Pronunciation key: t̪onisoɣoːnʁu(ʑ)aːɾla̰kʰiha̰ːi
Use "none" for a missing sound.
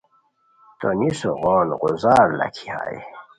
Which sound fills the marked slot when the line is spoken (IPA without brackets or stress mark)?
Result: z